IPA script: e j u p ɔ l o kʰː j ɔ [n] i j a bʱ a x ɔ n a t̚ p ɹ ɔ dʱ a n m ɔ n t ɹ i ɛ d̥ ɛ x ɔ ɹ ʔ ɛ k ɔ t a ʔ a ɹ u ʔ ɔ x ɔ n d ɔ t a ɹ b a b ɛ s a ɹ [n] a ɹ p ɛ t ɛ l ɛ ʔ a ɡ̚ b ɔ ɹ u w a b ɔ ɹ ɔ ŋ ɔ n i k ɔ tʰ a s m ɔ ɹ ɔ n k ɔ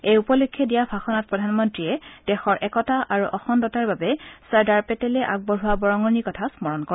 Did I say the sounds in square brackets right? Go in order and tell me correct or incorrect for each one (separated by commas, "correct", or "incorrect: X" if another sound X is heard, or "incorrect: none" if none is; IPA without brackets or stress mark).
incorrect: d, incorrect: d